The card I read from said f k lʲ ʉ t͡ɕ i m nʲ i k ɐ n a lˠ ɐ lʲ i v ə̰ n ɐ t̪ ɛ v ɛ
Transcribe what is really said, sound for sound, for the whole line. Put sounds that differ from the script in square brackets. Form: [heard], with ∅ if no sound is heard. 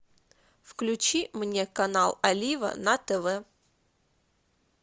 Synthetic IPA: f k lʲ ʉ t͡ɕ i m nʲ [e] k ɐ n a lˠ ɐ lʲ i v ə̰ n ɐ t̪ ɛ v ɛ